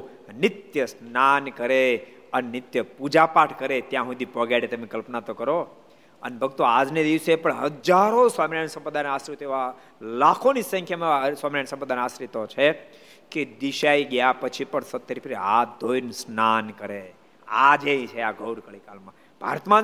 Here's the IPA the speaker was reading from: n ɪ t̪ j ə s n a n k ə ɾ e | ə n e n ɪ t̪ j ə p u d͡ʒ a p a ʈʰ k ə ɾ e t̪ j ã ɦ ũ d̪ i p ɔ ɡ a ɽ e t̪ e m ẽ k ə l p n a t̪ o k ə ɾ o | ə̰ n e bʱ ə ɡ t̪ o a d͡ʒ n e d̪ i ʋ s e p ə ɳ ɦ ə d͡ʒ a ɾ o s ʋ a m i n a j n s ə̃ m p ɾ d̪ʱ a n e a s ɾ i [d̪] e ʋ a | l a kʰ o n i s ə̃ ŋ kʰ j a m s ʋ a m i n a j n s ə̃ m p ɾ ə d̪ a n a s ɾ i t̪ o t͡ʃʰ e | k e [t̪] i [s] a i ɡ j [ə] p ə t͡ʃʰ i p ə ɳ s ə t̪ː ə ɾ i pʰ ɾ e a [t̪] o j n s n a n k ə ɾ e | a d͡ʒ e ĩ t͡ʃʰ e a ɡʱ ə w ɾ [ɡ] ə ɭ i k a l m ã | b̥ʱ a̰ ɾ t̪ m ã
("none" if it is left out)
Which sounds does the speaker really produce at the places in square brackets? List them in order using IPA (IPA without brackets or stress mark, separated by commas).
t̪, d̪, ʃ, a, d̪, k